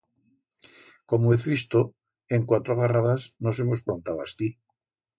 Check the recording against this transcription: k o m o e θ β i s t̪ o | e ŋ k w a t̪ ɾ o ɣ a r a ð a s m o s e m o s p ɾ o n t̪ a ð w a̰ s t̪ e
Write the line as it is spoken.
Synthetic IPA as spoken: k o m o e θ β i s t̪ o | e ŋ k w a t̪ ɾ o ɣ a r a ð a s n o s e m o s p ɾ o n t̪ a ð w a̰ s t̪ i